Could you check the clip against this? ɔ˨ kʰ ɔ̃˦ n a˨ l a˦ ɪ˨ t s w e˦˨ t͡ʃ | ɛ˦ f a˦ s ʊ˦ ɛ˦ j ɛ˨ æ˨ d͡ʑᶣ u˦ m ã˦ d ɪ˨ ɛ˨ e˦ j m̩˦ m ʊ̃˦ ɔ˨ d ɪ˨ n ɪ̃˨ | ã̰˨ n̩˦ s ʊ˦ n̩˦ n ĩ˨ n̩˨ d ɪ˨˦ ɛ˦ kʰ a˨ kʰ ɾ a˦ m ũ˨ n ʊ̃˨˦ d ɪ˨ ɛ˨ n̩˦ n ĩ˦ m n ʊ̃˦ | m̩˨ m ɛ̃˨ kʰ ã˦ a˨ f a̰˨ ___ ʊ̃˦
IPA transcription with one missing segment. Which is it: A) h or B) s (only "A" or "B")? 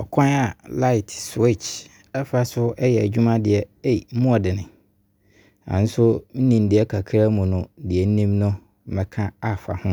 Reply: A